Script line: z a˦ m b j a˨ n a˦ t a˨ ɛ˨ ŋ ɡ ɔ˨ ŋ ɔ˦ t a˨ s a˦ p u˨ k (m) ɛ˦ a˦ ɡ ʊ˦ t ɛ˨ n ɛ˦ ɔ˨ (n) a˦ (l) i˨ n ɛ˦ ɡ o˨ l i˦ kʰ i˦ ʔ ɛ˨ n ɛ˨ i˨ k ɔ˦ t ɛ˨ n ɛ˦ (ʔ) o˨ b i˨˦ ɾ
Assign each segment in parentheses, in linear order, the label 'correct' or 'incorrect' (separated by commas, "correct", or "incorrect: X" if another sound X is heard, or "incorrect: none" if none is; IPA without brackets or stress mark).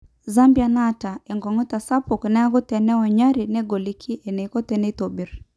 incorrect: n, incorrect: ɲ, incorrect: ɾ, incorrect: t